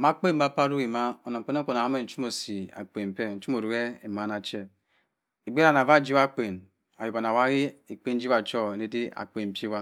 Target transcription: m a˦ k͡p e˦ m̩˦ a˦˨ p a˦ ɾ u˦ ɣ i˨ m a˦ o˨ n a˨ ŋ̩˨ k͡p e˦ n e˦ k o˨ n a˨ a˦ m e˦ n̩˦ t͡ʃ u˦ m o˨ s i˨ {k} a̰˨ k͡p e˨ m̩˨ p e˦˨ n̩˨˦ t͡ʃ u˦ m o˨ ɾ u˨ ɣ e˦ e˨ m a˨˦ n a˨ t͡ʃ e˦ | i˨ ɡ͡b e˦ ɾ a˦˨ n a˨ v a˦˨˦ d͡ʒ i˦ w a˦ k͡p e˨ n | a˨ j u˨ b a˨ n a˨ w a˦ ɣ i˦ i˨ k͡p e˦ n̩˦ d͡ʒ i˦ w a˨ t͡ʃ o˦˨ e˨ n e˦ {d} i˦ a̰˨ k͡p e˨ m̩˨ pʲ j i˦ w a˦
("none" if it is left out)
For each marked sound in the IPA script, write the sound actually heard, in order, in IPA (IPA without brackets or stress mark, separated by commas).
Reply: none, d